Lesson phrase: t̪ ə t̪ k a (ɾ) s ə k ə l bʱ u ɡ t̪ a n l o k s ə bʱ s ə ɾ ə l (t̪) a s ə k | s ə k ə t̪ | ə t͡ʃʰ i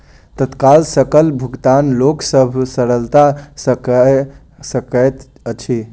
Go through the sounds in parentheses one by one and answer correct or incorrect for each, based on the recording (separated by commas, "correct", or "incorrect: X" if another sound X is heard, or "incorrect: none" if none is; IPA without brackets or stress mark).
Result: incorrect: l, correct